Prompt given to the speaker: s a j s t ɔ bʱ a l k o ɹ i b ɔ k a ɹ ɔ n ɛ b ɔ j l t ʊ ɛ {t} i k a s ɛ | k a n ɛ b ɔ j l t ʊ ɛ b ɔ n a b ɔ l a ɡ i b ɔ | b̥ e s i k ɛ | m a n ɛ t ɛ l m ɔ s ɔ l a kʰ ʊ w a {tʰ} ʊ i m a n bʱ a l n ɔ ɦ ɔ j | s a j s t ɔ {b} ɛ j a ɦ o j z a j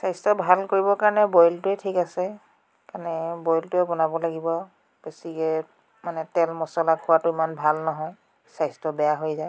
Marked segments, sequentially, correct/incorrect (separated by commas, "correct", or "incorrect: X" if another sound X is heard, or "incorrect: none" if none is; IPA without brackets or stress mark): incorrect: tʰ, incorrect: t, correct